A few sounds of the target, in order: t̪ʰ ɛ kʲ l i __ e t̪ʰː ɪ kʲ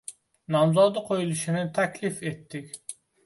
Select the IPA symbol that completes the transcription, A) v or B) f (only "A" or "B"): B